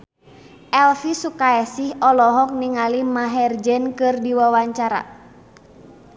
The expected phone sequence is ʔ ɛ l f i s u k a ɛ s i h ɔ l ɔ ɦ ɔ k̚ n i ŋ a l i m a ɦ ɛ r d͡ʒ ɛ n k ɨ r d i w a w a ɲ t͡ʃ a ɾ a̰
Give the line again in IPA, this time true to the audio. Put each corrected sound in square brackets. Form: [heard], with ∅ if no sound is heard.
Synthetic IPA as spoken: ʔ ɛ l f i s u k a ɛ s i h ɔ l ɔ ɦ ɔ k̚ n i ŋ a l i m a ɦ ɛ r d͡ʒ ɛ n k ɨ r d i w a w a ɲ t͡ʃ a ɾ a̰